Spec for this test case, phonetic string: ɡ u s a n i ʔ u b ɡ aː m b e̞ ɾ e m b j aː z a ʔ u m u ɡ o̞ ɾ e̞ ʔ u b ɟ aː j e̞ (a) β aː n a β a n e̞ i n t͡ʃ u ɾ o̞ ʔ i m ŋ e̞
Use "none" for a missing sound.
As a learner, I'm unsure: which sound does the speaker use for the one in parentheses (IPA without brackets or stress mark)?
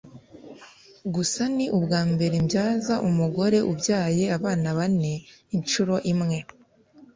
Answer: a